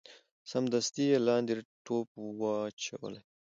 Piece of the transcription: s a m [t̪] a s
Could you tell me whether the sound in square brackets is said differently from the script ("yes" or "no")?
yes